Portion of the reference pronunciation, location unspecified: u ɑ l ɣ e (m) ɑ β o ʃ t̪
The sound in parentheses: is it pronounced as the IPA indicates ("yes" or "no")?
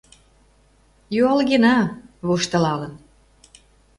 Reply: no